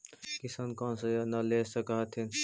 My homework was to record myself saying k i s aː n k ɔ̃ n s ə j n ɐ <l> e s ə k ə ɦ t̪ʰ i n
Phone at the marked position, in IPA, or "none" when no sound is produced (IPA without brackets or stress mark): l